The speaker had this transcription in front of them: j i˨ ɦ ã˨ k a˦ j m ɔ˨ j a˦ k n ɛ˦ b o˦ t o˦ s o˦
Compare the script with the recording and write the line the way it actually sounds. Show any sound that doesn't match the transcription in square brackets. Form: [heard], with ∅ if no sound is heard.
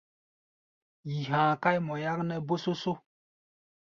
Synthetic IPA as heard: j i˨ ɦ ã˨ k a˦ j m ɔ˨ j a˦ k n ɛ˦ b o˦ [s] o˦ s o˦